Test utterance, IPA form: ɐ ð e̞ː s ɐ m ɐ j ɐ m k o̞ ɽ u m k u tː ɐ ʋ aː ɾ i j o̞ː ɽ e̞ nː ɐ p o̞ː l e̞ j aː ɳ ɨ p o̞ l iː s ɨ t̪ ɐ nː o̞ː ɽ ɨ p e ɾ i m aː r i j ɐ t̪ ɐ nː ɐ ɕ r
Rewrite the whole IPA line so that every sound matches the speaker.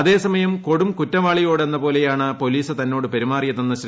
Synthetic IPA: ɐ ð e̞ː s ɐ m ɐ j ɐ m k o̞ ɽ u m k u tː ɐ ʋ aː ɭ i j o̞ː ɽ e̞ nː ɐ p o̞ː l e̞ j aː ɳ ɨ p o̞ l iː s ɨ t̪ ɐ nː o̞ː ɽ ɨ p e ɾ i m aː r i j ɐ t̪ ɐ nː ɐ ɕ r